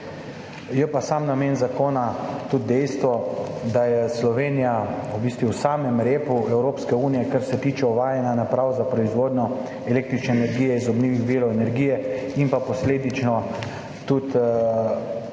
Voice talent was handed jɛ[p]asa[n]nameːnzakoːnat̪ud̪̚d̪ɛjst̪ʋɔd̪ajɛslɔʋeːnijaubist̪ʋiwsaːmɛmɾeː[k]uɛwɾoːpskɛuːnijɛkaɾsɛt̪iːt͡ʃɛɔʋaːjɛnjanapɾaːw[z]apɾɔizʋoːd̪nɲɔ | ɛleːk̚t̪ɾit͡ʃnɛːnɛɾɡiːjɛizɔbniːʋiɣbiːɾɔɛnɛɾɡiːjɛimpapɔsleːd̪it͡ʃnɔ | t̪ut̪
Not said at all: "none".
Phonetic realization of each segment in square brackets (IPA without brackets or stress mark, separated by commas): p, m, p, z